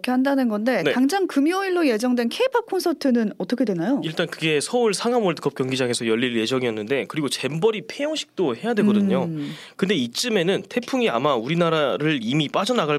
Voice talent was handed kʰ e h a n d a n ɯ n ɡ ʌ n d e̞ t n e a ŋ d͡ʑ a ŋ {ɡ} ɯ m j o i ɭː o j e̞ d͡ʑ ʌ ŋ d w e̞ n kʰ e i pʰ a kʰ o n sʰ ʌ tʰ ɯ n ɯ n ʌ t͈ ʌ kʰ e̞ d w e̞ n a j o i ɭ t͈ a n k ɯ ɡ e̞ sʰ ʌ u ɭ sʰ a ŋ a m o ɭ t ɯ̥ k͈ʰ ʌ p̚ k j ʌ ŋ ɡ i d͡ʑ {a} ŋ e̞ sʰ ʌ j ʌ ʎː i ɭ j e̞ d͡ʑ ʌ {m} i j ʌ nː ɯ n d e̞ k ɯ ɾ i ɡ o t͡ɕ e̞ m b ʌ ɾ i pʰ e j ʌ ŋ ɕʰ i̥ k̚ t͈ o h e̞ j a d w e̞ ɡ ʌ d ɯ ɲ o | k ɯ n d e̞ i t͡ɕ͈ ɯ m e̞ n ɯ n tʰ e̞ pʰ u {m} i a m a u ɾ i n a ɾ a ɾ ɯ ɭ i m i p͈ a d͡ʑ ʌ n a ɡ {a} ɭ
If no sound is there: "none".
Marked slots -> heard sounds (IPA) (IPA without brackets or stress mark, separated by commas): k, a, ŋ, ŋ, a